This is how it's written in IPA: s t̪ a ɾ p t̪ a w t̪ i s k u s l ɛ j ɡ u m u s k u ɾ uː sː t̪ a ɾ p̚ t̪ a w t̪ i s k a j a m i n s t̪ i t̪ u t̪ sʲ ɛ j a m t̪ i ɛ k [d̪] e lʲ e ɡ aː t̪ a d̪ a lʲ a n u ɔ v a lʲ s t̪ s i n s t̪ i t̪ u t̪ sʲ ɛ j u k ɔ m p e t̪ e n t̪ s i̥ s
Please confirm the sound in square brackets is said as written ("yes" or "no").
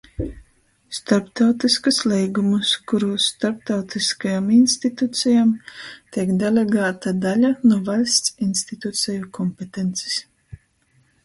yes